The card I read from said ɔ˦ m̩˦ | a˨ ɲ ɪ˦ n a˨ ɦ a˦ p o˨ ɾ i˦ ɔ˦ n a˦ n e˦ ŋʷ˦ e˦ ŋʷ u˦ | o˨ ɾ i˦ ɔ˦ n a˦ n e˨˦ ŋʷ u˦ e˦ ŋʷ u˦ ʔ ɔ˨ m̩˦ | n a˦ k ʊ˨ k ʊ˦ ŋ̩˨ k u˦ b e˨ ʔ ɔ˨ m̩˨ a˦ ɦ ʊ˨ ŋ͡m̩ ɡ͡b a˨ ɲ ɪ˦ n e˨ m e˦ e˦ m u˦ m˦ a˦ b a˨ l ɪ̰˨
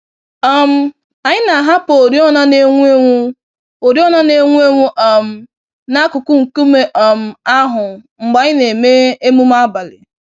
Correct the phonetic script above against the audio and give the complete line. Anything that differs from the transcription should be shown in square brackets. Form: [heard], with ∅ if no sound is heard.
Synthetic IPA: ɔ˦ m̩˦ | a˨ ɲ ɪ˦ n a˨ ɦ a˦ p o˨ ɾ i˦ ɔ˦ n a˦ n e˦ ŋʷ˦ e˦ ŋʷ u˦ | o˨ ɾ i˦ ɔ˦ n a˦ n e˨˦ ŋʷ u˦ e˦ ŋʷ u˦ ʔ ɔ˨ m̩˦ | n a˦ k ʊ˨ k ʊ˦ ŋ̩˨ k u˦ [m] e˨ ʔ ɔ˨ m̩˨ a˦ ɦ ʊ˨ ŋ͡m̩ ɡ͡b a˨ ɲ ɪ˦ n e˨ m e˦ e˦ m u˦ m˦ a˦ b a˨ l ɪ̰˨